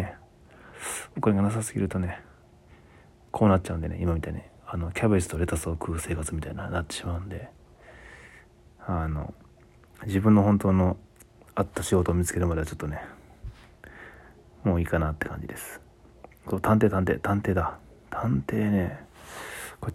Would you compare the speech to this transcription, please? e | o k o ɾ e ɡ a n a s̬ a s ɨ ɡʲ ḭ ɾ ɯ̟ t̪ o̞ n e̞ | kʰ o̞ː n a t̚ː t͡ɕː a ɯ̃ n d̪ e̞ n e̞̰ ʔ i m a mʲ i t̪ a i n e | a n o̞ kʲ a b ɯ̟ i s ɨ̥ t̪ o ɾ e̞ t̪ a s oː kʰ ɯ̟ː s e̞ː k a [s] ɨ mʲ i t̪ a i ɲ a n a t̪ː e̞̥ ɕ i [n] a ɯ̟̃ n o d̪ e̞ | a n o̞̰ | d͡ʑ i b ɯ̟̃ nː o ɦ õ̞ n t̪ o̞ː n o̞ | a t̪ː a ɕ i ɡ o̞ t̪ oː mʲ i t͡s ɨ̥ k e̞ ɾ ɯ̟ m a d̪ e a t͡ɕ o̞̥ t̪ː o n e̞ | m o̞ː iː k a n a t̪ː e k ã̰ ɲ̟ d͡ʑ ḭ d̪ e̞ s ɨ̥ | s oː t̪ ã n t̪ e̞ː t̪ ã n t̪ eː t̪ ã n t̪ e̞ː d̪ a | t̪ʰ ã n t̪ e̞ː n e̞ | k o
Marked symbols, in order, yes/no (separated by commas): no, no